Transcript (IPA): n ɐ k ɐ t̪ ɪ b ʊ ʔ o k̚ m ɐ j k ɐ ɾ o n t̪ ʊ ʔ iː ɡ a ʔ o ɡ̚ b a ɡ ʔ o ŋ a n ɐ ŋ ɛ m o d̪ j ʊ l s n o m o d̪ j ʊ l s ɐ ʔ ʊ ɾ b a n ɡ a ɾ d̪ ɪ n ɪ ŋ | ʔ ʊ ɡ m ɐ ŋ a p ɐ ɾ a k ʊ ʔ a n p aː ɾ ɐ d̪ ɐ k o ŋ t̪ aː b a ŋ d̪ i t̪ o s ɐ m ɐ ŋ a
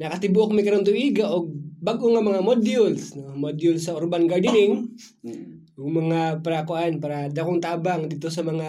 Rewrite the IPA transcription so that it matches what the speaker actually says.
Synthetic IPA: n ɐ k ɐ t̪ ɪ b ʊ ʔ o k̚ m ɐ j k ɐ ɾ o n t̪ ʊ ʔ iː ɡ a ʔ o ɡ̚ b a ɡ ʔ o ŋ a m ɐ ŋ a m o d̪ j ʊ l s n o m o d̪ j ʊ l s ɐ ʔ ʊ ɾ b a n ɡ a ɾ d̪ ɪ n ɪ ŋ | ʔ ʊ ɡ m ɐ ŋ a p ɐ ɾ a k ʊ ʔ a n p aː ɾ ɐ d̪ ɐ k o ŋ t̪ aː b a ŋ d̪ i t̪ o s ɐ m ɐ ŋ a